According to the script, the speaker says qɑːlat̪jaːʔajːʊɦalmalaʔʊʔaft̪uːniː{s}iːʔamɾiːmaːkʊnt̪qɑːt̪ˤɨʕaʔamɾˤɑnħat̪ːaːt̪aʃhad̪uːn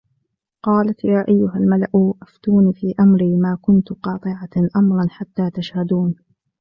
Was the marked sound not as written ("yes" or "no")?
yes